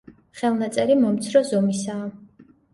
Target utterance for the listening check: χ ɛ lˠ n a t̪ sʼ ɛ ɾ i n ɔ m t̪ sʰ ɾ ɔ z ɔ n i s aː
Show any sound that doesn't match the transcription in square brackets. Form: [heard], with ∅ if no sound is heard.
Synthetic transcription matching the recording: χ ɛ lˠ n a t̪ sʼ ɛ ɾ i [m] ɔ m t̪ sʰ ɾ ɔ z ɔ [m] i s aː